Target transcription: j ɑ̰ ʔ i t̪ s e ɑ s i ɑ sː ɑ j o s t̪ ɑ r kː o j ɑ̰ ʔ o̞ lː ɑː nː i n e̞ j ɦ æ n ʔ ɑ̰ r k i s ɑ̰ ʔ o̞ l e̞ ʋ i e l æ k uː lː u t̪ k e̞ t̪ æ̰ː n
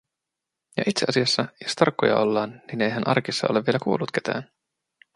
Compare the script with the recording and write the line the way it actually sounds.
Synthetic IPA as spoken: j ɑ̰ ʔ i t̪ s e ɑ s i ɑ sː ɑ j o s t̪ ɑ r kː o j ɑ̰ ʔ o̞ lː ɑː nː i n e̞ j ɦ æ n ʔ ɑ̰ r k i sː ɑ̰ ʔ o̞ l e̞ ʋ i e l æ k uː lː u t̪ k e̞ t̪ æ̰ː n